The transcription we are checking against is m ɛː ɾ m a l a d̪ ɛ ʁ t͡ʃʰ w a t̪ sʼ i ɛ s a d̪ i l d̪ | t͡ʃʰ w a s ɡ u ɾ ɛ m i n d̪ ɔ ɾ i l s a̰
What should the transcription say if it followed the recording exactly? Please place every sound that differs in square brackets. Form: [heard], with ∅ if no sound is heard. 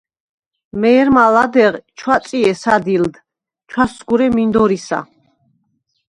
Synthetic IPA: m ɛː ɾ m a l a d̪ ɛ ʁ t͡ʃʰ w a t̪ sʼ i ɛ s a d̪ i l d̪ | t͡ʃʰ w a s ɡ u ɾ ɛ m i n d̪ ɔ ɾ i [∅] s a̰